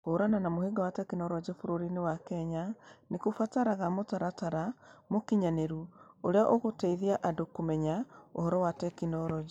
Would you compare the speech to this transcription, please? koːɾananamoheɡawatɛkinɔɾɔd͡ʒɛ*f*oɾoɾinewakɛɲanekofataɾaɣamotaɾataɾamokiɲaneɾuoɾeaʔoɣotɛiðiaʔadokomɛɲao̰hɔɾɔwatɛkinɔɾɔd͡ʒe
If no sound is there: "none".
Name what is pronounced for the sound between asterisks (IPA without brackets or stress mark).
f